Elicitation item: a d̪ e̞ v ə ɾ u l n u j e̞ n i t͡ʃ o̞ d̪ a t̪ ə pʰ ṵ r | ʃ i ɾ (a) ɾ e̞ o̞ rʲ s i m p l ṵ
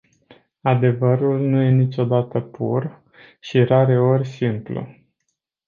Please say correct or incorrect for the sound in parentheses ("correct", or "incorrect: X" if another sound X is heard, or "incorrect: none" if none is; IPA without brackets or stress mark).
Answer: correct